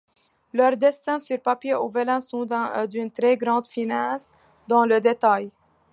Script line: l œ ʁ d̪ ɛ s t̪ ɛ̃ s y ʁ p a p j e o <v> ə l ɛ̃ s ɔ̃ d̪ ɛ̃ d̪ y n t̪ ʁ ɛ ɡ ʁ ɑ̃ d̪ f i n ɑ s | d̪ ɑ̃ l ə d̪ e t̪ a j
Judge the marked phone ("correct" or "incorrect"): correct